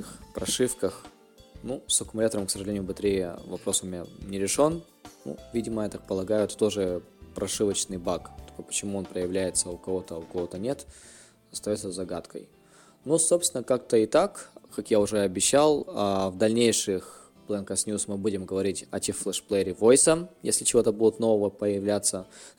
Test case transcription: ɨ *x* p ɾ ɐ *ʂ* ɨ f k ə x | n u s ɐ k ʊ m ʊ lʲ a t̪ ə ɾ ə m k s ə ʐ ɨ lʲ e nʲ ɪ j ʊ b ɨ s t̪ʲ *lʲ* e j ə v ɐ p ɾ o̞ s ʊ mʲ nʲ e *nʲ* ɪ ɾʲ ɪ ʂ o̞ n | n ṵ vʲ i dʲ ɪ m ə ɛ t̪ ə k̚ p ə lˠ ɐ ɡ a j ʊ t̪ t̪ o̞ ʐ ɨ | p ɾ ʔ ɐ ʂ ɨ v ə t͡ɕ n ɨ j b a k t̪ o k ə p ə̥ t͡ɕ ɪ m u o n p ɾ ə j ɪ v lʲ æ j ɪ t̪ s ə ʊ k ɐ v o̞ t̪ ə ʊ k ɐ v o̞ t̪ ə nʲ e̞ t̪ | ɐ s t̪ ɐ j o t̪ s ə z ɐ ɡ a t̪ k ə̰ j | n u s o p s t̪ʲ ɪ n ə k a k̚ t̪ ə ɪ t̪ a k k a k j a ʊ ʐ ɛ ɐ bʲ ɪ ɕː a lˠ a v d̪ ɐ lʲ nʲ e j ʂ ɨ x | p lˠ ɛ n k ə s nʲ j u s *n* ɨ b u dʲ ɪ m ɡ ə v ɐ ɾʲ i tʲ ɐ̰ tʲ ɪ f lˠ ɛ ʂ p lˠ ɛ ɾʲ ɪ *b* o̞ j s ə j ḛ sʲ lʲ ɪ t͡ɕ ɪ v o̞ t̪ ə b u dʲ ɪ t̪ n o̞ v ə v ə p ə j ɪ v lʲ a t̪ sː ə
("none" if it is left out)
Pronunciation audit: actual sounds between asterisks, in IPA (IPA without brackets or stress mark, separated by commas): x, ʂ, ɾʲ, nʲ, m, v